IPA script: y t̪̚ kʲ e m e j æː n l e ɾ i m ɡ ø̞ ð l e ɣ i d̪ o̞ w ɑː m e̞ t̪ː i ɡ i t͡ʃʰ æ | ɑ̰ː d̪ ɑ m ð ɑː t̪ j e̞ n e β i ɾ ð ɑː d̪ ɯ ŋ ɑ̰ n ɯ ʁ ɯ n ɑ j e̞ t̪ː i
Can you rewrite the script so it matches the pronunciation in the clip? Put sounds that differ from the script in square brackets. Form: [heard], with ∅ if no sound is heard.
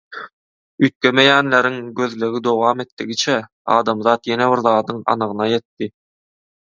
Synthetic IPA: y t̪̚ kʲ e m e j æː n l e ɾ i [ŋ] ɡ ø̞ ð l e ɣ i d̪ o̞ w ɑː m e̞ t̪ː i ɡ i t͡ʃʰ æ | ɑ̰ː d̪ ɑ m ð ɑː t̪ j e̞ n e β i ɾ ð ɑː d̪ ɯ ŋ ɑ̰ n ɯ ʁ ɯ n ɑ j e̞ t̪ː i